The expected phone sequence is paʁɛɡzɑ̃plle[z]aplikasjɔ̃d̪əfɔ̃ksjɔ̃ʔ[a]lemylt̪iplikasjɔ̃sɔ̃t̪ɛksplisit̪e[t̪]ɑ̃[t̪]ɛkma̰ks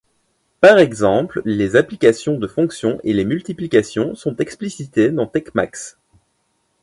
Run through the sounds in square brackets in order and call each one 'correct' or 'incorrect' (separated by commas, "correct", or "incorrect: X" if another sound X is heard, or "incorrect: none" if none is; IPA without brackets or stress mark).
correct, incorrect: e, incorrect: d̪, correct